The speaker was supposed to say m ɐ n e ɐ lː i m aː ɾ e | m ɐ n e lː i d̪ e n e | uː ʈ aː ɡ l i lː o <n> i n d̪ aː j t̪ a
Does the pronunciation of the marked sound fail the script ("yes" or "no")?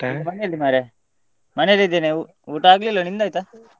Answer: no